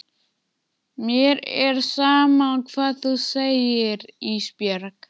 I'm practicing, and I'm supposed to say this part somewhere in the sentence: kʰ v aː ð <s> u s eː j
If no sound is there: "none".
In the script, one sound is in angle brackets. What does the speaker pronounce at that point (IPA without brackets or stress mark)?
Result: θ